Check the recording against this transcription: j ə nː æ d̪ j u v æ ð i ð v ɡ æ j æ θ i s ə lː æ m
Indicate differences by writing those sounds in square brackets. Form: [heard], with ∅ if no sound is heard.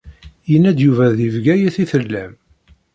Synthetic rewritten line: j ə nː æ d̪ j u v æ ð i [∅] v ɡ æ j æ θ i [θ] ə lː æ m